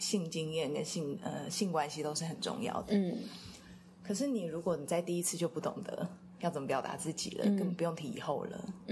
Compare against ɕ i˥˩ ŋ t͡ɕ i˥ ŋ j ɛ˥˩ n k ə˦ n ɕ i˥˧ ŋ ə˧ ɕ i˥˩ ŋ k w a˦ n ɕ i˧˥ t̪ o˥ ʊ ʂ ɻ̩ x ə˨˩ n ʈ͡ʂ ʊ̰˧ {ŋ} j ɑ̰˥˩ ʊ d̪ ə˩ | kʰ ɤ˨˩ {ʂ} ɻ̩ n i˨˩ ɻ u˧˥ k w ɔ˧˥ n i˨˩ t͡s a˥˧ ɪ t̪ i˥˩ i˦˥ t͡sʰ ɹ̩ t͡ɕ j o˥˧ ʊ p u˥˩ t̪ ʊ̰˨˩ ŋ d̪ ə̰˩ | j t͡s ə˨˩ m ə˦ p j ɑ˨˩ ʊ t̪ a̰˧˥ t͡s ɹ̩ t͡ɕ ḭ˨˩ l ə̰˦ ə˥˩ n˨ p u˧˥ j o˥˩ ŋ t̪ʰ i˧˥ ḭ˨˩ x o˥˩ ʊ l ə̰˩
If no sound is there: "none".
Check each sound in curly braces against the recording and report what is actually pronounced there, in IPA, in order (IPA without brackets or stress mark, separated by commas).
ŋ, ʂ